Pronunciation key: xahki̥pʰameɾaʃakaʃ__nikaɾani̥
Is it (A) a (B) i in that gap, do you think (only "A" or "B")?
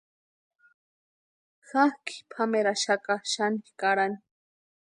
A